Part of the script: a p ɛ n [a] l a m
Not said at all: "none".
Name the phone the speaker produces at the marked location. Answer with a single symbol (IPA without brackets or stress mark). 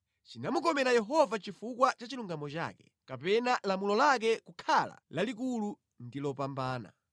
a